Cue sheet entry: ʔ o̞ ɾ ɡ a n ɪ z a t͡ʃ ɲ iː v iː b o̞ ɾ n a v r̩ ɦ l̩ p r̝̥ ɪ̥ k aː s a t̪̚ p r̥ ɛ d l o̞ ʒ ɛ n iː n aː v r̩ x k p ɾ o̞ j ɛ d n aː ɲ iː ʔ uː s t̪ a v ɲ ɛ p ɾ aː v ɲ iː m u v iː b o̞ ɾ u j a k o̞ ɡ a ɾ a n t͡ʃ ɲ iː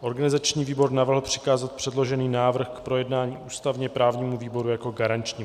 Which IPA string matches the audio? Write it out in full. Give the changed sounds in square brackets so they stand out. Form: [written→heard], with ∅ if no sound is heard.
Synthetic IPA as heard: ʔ o̞ ɾ ɡ a n ɪ z a t͡ʃ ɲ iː v iː b o̞ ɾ n a v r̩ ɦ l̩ p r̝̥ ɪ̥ k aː [s→z] a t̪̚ p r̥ ɛ d l o̞ ʒ ɛ n iː n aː v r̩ x k p ɾ o̞ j ɛ d n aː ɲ iː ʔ uː s t̪ a v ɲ ɛ p ɾ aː v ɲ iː m u v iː b o̞ ɾ u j a k o̞ ɡ a ɾ a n t͡ʃ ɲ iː